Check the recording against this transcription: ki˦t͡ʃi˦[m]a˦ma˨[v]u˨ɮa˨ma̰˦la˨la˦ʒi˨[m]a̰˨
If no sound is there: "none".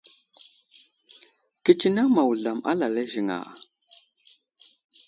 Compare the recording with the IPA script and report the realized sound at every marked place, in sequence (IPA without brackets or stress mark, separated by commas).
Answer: n, w, ŋ